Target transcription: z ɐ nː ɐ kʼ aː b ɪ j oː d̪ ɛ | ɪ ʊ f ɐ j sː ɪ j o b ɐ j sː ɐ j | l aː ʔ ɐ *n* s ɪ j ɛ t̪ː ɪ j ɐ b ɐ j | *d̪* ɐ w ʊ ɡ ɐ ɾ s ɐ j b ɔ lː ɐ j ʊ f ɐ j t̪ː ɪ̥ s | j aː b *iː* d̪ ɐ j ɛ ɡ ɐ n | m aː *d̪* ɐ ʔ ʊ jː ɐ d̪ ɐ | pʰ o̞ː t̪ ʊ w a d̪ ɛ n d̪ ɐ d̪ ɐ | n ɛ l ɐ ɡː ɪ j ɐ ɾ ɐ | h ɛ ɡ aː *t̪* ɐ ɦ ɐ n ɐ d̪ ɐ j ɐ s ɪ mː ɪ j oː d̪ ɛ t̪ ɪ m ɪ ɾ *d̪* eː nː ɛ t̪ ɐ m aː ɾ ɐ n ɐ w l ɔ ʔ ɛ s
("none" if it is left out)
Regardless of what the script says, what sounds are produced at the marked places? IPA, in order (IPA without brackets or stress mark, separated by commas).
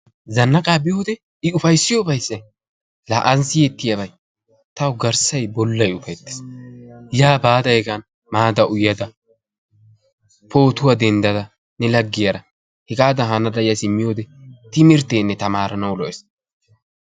n, t̪, aː, d̪, d̪, t̪